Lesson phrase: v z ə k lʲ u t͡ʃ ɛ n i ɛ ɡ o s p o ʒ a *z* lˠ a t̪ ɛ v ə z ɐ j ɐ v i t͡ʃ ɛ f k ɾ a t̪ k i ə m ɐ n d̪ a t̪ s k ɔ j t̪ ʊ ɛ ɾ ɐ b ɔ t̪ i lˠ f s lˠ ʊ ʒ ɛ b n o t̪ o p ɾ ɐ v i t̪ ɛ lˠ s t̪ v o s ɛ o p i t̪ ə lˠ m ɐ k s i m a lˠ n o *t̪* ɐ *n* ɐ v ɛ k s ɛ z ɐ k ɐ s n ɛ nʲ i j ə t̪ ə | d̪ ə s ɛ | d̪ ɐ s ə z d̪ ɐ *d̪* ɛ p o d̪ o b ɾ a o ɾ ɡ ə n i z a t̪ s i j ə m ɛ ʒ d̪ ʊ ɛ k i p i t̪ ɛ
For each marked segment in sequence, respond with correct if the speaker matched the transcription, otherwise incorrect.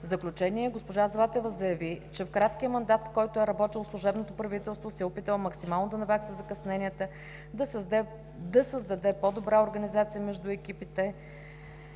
correct, incorrect: d̪, correct, correct

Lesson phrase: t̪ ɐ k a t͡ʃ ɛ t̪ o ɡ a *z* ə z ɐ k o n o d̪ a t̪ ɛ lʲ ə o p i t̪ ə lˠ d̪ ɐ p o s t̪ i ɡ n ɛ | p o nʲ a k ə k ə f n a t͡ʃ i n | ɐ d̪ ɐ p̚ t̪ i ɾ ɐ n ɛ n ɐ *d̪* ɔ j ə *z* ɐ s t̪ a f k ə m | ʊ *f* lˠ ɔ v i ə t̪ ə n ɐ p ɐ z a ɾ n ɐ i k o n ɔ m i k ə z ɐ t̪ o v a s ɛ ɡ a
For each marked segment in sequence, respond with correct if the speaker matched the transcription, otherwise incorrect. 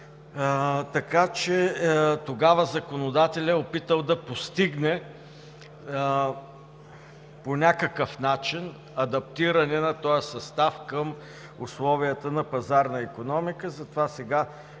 incorrect: v, incorrect: t̪, incorrect: s, incorrect: s

